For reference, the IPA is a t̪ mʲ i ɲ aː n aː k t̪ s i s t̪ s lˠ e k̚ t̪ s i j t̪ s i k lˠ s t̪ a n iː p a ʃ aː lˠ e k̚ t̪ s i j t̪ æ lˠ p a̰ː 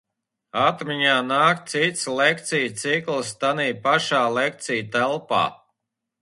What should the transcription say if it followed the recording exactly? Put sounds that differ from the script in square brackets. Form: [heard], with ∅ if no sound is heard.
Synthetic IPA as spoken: a t̪ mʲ i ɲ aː n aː k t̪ s i [∅] t̪ s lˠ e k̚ t̪ s i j t̪ s i k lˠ s t̪ a n iː p a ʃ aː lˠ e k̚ t̪ s i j t̪ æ lˠ p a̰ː